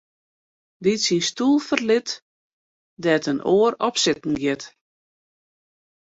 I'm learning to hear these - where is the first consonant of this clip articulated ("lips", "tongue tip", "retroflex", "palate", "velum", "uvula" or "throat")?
tongue tip